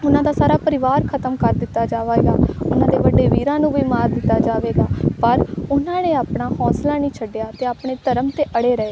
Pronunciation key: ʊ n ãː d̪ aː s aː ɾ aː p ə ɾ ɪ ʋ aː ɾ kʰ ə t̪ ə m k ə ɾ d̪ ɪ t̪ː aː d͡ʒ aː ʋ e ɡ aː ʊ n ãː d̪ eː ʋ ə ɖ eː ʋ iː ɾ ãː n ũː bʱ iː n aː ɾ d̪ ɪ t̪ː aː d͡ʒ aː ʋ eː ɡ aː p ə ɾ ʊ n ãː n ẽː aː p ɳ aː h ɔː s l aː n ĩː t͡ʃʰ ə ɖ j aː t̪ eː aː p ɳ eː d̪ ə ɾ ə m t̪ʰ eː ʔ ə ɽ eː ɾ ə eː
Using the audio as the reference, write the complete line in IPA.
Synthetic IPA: ʊ n ãː d̪ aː s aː ɾ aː p ə ɾ ɪ ʋ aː ɾ kʰ ə t̪ ə m k ə ɾ d̪ ɪ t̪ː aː d͡ʒ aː ʋ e ɡ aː ʊ n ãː d̪ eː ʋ ə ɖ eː ʋ iː ɾ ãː n ũː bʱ iː m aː ɾ d̪ ɪ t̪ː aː d͡ʒ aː ʋ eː ɡ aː p ə ɾ ʊ n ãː n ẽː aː p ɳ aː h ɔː s l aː n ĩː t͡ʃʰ ə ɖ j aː t̪ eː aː p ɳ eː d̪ ə ɾ ə m t̪ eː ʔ ə ɽ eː ɾ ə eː